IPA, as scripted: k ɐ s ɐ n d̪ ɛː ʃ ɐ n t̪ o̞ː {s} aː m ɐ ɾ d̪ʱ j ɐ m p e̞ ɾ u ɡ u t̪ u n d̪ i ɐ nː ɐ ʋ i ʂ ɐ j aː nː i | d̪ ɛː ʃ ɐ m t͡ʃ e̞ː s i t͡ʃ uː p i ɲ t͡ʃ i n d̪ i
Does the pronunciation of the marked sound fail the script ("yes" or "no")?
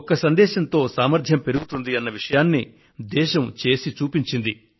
no